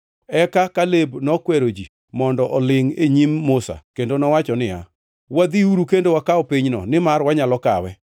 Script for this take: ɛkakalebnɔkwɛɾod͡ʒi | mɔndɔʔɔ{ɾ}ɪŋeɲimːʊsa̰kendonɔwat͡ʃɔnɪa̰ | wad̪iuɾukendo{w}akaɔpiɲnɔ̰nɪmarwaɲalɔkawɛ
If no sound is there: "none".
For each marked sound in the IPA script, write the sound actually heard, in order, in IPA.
l, w

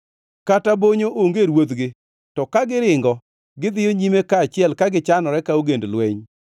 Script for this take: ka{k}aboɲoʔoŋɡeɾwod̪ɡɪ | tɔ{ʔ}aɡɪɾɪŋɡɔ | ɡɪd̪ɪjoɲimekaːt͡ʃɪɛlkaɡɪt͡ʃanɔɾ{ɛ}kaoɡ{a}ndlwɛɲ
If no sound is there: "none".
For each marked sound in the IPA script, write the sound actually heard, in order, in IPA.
t, k, ɛ, e

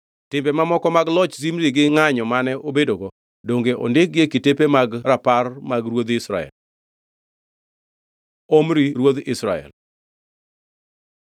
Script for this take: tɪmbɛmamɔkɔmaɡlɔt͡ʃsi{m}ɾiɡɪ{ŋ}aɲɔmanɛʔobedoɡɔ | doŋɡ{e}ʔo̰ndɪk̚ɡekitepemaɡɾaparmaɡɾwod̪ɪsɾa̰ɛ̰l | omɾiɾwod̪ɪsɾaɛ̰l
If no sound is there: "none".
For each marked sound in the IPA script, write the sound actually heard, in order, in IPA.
m, ŋ, e

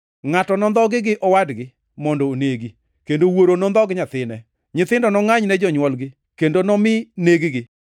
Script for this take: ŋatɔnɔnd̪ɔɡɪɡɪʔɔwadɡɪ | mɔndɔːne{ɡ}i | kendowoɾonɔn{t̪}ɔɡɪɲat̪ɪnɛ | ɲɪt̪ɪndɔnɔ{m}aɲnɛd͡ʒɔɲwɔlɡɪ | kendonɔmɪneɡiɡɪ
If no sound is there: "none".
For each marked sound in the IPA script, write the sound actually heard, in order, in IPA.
ɡ, d̪, ŋ

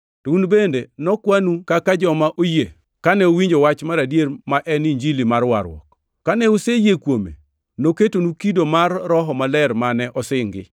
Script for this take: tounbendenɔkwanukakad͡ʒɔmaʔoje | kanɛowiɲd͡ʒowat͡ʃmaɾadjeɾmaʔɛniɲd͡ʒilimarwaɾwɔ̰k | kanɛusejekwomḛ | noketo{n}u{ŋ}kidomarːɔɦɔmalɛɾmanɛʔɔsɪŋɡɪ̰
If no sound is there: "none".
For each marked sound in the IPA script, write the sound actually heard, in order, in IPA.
n, none

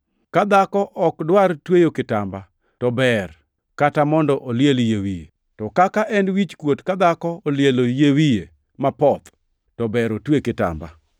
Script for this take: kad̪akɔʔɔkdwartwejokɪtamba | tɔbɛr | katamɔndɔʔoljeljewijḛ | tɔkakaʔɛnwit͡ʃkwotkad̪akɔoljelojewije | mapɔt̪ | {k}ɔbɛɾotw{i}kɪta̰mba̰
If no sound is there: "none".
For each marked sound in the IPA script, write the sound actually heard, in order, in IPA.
t, e

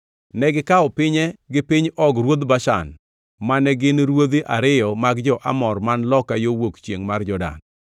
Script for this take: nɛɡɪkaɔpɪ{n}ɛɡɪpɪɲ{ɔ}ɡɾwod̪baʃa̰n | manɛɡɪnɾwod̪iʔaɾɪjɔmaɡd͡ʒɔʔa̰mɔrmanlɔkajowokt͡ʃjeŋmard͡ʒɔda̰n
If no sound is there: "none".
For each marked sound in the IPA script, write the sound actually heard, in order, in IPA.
ɲ, ɔ

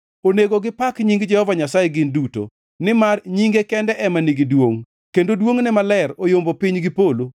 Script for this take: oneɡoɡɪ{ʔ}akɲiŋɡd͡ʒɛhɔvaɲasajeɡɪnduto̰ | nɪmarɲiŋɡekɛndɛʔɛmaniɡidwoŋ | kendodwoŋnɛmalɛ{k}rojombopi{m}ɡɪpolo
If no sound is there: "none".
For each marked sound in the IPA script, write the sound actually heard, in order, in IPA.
p, none, ɲ

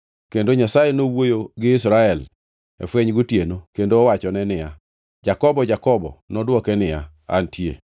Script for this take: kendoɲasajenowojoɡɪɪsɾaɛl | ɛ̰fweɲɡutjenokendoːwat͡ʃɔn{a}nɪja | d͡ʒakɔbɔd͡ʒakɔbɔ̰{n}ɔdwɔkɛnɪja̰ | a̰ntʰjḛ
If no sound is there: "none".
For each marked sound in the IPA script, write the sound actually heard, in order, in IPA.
ɛ, n

